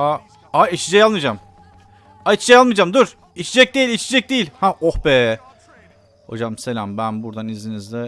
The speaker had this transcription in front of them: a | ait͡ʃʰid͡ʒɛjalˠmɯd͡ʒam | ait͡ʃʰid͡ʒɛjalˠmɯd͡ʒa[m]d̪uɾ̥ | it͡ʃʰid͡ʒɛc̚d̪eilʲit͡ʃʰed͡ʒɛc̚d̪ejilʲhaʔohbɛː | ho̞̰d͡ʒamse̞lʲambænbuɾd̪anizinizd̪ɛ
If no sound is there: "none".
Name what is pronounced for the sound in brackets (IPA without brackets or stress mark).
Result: m